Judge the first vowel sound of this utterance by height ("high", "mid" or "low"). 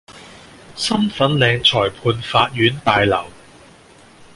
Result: low